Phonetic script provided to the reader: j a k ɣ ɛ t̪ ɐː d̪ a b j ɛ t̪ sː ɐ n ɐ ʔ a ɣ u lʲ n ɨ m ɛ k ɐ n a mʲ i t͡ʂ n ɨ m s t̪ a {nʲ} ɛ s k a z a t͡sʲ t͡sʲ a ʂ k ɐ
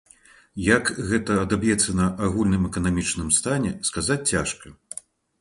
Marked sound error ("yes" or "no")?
no